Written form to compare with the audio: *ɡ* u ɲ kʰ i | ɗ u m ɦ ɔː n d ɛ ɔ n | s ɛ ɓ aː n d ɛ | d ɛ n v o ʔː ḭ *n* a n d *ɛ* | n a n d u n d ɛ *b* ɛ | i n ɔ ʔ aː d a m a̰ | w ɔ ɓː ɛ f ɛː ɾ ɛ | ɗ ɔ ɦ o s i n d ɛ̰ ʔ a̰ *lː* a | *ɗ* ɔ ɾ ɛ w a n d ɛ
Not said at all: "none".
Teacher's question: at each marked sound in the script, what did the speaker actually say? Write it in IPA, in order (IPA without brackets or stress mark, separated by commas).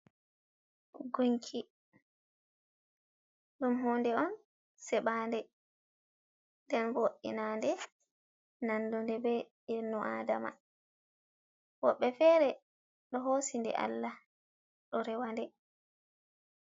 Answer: ɡ, n, ɛ, b, lː, ɗ